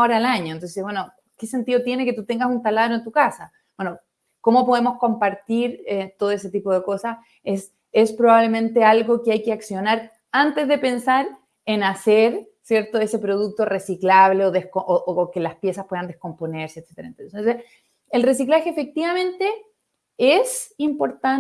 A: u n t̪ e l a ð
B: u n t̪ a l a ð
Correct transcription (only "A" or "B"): B